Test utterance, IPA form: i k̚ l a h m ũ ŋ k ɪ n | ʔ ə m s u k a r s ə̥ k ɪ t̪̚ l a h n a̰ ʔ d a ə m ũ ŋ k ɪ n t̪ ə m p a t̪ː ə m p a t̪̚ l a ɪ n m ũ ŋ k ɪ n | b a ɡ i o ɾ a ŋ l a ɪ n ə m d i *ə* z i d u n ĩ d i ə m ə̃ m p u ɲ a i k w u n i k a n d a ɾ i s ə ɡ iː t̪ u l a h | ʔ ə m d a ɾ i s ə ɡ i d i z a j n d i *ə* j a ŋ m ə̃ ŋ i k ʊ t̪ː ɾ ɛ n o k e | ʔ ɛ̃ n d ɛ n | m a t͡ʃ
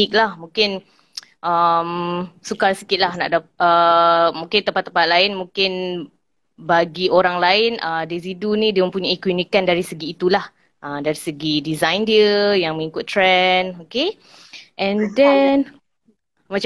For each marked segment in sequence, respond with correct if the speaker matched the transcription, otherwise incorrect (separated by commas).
correct, correct